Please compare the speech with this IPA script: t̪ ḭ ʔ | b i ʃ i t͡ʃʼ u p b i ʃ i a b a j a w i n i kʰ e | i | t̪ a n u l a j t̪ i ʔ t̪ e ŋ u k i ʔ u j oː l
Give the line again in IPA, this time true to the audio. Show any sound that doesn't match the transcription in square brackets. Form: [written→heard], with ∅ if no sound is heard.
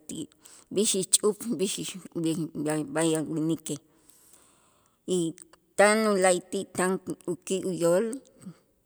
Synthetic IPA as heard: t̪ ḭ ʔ | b i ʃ i t͡ʃʼ u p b i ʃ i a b a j a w i n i [kʰ→k] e | i | t̪ a n u l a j t̪ i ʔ t̪ [e→a] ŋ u k i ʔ u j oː l